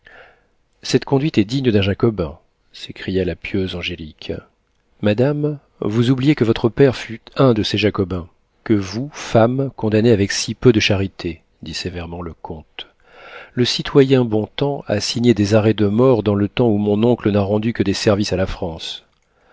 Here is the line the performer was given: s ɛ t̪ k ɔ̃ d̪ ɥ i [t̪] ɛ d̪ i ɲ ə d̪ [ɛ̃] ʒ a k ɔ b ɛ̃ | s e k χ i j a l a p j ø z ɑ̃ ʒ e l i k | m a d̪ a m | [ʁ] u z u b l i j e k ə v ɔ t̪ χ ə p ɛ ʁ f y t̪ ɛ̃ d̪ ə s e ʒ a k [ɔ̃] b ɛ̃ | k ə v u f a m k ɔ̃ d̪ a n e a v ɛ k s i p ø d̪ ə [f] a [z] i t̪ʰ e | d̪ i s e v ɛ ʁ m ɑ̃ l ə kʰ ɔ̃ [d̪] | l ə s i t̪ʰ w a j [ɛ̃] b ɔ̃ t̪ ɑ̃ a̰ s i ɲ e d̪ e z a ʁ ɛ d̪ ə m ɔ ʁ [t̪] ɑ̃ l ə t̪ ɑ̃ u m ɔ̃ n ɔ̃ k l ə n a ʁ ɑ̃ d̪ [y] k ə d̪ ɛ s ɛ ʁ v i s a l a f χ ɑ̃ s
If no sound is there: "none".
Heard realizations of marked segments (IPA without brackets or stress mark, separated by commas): t̪, ɛ̃, v, ɔ, ʃ, ʁ, t̪, ɛ̃, d̪, y